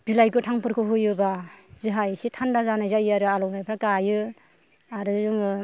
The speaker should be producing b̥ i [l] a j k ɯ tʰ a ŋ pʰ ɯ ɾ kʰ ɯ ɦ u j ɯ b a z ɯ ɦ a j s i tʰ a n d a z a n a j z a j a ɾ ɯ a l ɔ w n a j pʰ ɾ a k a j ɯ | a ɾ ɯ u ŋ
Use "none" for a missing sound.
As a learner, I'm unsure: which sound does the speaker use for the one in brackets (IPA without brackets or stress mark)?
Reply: l